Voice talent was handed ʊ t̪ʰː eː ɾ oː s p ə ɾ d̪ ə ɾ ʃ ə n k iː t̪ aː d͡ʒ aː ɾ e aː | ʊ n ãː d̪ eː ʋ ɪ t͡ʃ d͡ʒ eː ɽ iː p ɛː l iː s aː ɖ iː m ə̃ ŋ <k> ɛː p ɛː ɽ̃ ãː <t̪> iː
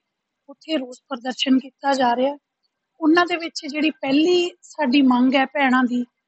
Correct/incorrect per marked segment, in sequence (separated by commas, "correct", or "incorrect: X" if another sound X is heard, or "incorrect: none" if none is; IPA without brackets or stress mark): incorrect: ɡ, incorrect: d̪